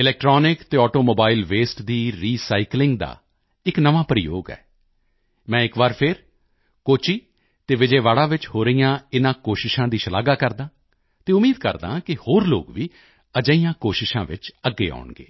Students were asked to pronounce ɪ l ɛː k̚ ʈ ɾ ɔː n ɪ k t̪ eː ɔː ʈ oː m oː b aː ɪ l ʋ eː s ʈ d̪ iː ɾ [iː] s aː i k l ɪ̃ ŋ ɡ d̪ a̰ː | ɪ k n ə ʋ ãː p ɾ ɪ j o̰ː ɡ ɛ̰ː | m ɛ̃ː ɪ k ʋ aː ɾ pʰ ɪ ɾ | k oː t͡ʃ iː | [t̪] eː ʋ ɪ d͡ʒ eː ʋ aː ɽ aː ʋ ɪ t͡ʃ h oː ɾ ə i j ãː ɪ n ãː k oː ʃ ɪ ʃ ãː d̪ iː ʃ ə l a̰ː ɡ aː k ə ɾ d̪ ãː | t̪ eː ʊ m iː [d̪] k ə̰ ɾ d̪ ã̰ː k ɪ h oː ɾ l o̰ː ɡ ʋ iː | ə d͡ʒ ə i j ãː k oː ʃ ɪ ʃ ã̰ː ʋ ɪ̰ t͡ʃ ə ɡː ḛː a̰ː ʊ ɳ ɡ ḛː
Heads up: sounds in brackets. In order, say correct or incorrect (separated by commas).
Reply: correct, correct, correct